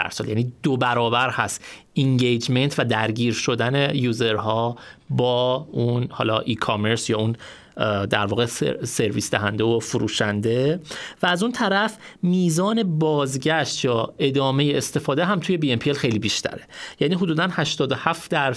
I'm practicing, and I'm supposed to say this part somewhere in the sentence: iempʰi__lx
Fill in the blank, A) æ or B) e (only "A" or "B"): B